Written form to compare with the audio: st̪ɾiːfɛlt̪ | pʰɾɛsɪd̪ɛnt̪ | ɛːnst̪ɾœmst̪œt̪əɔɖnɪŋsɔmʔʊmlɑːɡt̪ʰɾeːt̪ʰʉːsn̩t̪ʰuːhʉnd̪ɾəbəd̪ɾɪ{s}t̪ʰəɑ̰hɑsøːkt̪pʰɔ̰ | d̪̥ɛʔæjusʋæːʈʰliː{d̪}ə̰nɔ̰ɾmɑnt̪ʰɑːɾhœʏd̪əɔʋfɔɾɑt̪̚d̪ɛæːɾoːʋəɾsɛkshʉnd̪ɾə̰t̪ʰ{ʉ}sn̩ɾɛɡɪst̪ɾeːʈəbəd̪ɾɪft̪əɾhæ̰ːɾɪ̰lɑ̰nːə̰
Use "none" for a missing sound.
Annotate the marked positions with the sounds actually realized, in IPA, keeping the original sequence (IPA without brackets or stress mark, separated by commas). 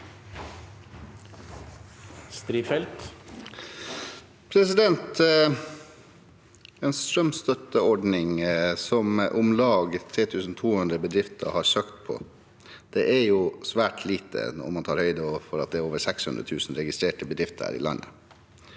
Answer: f, t̪, ʉː